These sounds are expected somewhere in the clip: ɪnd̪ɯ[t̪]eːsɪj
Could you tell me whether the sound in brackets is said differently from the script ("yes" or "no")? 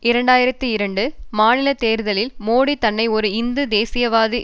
yes